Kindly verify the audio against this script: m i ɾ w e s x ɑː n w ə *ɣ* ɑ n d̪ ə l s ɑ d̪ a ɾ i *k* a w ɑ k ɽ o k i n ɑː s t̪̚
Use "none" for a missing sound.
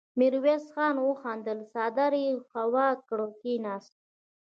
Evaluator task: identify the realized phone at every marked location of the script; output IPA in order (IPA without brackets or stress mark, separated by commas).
x, x